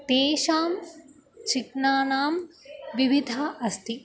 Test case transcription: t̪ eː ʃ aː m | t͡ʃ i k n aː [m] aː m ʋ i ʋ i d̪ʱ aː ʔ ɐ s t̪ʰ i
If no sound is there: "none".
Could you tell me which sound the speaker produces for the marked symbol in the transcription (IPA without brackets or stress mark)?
n